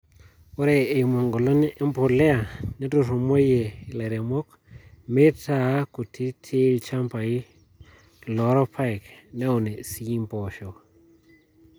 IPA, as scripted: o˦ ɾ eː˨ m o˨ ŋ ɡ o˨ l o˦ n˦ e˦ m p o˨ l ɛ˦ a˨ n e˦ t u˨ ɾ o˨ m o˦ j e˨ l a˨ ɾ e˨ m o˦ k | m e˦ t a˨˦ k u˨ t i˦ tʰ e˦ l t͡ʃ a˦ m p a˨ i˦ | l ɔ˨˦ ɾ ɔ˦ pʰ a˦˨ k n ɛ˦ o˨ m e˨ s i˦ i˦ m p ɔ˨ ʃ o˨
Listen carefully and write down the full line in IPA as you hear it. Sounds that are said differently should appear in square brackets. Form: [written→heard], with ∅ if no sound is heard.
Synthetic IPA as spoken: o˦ ɾ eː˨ m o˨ ŋ ɡ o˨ l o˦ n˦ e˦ m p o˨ l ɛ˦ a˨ n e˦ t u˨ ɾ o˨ m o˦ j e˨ l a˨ ɾ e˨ m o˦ k | m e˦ t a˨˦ k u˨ t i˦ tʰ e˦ l t͡ʃ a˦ m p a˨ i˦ | l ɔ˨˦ ɾ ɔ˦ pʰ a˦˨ k n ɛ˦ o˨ [m→n] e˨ s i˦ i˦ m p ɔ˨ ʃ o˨